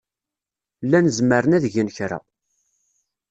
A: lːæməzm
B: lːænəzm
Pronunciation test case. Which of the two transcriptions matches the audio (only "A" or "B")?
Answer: B